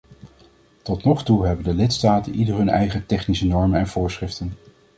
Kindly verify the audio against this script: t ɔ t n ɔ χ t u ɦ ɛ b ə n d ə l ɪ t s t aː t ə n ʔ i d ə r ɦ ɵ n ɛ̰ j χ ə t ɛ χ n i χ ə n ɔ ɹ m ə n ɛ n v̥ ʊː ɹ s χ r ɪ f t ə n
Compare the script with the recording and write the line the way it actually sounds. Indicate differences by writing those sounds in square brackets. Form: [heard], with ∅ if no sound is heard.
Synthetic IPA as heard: t ɔ t n ɔ χ t u ɦ ɛ b ə n d ə l ɪ t s t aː t ə n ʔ i d ə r ɦ ɵ n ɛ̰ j χ ə t ɛ χ n i [s] ə n ɔ ɹ m ə n ɛ n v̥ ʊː ɹ s χ r ɪ f t ə n

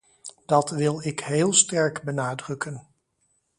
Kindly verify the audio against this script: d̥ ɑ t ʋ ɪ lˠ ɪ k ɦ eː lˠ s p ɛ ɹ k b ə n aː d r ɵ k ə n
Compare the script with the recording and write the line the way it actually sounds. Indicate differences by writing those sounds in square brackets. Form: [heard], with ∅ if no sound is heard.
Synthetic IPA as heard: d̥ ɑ t ʋ ɪ lˠ ɪ k ɦ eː lˠ s [t] ɛ ɹ k b ə n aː d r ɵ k ə n

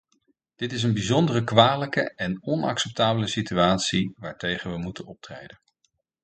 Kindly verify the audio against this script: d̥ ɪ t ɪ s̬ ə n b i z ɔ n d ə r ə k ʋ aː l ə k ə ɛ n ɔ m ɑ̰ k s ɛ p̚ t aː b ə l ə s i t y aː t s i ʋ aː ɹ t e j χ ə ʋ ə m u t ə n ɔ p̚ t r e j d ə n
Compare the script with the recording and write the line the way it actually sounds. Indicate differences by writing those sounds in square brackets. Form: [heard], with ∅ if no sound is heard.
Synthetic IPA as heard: d̥ ɪ t ɪ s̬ ə n b i z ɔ n d ə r ə k ʋ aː l ə k ə ɛ n ɔ [n] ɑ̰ k s ɛ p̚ t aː b ə l ə s i t y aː t s i ʋ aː ɹ t e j χ ə ʋ ə m u t ə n ɔ p̚ t r e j d ə n

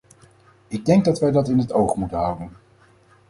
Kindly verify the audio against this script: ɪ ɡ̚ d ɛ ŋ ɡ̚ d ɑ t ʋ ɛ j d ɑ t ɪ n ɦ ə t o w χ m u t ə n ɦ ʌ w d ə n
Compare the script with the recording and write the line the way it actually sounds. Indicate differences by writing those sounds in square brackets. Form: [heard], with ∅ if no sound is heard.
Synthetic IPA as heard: ɪ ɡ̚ d ɛ ŋ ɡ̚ d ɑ t ʋ ɛ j d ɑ t ɪ n ɦ ə t o w χ m u t ə n ɦ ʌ w d ə n

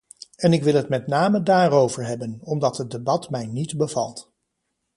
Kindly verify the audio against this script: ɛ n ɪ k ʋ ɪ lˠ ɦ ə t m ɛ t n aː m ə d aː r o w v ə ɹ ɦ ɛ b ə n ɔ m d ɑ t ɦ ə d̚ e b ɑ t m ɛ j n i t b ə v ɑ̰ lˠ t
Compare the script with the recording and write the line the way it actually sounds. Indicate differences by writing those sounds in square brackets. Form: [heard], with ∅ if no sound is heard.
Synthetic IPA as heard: ɛ n ɪ k ʋ ɪ lˠ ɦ ə t m ɛ t n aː m ə d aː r o w v ə ɹ ɦ ɛ b ə n ɔ m d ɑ t ɦ ə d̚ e b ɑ t m ɛ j n i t b ə v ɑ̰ lˠ t

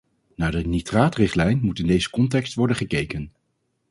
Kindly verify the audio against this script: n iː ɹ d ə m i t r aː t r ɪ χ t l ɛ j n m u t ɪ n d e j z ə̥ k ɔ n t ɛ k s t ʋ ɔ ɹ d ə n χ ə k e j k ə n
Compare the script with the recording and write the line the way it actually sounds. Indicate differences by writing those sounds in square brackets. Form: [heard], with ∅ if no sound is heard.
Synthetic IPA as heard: n [aː] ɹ d ə [n] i t r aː t r ɪ χ t l ɛ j n m u t ɪ n d e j z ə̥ k ɔ n t ɛ k s t ʋ ɔ ɹ d ə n χ ə k e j k ə n

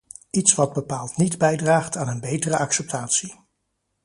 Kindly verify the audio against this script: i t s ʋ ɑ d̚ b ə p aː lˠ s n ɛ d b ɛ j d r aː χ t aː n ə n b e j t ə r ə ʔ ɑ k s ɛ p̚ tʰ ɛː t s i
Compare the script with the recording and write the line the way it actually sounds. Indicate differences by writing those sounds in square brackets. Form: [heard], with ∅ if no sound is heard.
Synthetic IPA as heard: i t s ʋ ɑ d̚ b ə p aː lˠ [t] n [i] d b ɛ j d r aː χ t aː n ə n b e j t ə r ə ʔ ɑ k s ɛ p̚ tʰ [aː] t s i

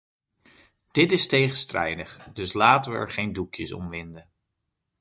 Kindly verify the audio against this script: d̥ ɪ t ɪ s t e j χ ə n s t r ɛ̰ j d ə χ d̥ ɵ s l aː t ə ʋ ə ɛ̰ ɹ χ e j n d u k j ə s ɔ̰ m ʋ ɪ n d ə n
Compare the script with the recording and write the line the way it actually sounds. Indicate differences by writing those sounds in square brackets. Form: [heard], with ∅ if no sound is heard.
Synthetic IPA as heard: d̥ ɪ t ɪ s t e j χ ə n s t r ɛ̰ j d ə χ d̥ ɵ s l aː t ə ʋ ə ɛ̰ ɹ χ e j n d u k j ə s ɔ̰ m ʋ ɪ n d ə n

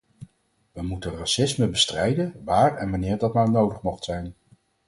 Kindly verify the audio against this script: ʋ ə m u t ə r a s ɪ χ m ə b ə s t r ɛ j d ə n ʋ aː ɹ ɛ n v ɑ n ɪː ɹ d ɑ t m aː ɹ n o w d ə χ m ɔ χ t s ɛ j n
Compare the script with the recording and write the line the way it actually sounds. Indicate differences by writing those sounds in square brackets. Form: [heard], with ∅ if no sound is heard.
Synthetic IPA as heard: ʋ ə m u t ə r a s ɪ [s] m ə b ə s t r ɛ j d ə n ʋ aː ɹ ɛ n [ʋ] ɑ n ɪː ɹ d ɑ t m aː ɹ n o w d ə χ m ɔ χ t s ɛ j n

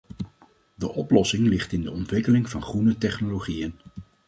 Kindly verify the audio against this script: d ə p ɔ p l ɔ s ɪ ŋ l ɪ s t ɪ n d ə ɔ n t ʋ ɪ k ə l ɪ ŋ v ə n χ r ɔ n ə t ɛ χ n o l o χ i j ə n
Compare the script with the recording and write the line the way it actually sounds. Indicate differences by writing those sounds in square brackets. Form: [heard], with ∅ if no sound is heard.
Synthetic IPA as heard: d ə [ʔ] ɔ p l ɔ s ɪ ŋ l ɪ [χ] t ɪ n d ə ɔ n t ʋ ɪ k ə l ɪ ŋ v [ɑ] n χ r [u] n ə t ɛ χ n o l o χ i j ə n

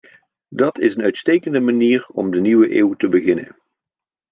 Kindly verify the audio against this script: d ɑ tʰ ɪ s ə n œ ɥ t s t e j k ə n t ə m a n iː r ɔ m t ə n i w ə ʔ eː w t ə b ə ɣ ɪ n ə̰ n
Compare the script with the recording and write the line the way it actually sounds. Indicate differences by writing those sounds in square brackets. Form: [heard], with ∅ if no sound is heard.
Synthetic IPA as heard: d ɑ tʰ ɪ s ə n œ ɥ t s t e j k ə n [d] ə m a n iː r ɔ m [d] ə n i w ə ʔ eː w t ə b ə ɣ ɪ n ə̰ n

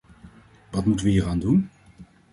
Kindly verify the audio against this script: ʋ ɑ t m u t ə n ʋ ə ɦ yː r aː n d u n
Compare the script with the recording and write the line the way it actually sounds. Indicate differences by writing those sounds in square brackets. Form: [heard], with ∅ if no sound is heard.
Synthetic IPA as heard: ʋ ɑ t m u t ə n ʋ ə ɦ [iː] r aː n d u n

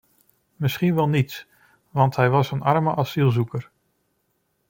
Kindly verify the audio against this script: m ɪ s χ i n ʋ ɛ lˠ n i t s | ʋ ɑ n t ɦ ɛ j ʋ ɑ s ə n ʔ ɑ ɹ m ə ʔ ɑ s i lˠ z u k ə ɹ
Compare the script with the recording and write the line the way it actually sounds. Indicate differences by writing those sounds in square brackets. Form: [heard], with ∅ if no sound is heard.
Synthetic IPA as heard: m ɪ s χ i n ʋ ɛ lˠ n i t s | ʋ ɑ n t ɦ ɛ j ʋ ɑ s ə n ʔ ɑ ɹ m ə ʔ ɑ s i lˠ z u k ə ɹ

